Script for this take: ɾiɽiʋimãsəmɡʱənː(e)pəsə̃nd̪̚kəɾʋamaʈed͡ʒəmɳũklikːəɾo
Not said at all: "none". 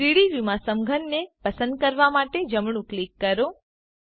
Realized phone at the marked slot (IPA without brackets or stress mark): e